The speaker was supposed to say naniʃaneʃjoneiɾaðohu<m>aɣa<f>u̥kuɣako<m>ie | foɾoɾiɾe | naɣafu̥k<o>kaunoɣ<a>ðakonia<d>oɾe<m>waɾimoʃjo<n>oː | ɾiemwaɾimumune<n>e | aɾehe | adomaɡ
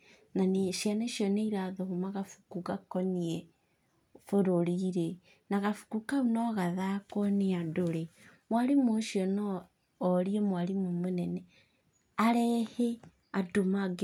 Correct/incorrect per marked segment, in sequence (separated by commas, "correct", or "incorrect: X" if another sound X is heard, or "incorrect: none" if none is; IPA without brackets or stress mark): correct, correct, incorrect: n, incorrect: u, correct, correct, correct, correct, correct